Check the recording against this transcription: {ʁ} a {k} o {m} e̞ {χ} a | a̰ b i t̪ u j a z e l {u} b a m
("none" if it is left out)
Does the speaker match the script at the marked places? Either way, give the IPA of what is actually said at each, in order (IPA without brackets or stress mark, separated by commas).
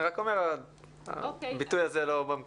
ʁ, k, m, ʁ, o